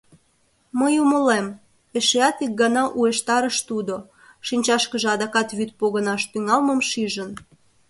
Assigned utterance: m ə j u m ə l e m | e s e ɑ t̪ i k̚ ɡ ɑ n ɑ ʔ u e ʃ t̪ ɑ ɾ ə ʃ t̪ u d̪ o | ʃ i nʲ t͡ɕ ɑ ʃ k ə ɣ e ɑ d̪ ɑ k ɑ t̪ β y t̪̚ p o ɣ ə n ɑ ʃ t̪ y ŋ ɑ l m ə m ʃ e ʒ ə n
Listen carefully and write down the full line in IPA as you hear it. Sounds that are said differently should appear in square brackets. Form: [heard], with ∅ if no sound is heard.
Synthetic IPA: m ə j u m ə l e m | e [ʃ] e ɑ t̪ i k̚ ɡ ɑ n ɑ ʔ u e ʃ t̪ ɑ ɾ ə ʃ t̪ u d̪ o | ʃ i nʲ t͡ɕ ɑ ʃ k ə [ʒ] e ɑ d̪ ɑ k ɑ t̪ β y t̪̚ p o ɣ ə n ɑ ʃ t̪ y ŋ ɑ l m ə m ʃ [i] ʒ ə n